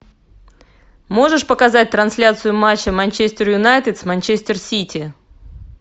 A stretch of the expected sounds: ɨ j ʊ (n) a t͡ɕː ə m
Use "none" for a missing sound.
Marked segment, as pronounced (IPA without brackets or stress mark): m